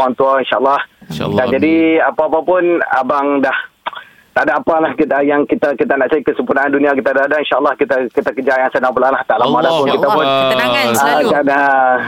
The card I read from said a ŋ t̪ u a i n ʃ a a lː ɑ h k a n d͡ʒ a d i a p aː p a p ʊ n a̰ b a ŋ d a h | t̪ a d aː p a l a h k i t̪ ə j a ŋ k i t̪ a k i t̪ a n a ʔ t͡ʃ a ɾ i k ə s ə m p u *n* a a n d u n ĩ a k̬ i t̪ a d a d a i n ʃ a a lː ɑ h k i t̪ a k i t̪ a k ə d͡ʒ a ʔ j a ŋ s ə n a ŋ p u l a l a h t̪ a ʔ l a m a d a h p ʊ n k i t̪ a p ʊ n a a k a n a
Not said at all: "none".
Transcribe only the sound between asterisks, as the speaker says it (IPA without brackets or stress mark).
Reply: n